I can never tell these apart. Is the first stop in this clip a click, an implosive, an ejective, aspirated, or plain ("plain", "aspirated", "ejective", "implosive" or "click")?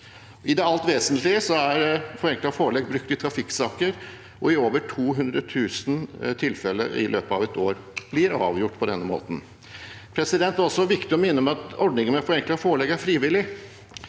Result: plain